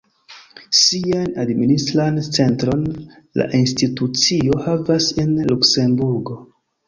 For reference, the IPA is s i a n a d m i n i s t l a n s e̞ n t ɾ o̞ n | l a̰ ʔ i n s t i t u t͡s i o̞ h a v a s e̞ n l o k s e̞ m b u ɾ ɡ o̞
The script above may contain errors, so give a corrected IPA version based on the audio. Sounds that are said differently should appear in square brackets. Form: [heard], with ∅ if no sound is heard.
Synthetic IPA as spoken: s i a n a d m i n i s t [ɾ] a n [t͡s] e̞ n t ɾ o̞ n | l a̰ ʔ i n s t i t u t͡s i o̞ h a v a s e̞ n l [u] k s e̞ m b u ɾ ɡ o̞